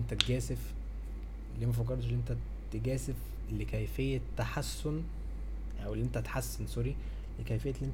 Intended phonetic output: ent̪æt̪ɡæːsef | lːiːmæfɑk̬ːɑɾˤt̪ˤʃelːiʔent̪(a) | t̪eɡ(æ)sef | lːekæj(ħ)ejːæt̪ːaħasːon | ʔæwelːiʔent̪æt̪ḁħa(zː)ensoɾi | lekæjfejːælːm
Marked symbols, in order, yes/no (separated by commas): no, no, no, no